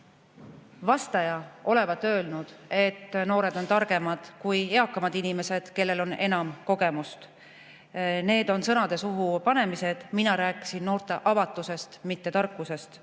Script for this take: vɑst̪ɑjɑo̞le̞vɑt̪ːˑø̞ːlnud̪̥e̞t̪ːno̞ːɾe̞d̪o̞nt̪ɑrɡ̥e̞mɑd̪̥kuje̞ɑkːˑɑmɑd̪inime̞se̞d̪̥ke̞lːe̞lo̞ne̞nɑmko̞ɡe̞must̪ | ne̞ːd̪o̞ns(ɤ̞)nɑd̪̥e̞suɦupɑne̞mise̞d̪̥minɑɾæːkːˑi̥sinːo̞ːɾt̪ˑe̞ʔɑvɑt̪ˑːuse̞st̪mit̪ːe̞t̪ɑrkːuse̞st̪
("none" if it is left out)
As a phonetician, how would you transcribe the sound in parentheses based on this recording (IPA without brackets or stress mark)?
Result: ɤ̞